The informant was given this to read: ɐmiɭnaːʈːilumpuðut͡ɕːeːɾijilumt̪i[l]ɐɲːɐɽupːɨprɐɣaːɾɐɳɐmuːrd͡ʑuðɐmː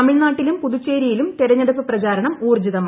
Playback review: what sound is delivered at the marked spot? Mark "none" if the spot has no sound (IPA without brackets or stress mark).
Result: ɾ